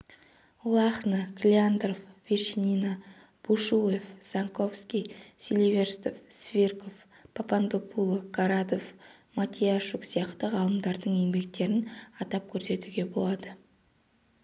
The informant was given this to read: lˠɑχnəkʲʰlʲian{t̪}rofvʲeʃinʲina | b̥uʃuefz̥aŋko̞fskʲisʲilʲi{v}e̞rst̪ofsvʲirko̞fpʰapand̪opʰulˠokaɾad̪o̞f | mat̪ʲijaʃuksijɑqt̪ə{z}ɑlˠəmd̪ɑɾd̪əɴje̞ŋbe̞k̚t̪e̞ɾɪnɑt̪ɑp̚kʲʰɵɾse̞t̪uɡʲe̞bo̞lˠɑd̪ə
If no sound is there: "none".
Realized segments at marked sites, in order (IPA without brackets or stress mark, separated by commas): d̪, v, ʁ